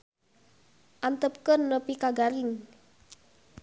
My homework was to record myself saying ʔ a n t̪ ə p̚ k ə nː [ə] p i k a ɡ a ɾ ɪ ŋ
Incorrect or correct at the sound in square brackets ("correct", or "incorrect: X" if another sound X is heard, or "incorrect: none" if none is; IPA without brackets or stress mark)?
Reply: correct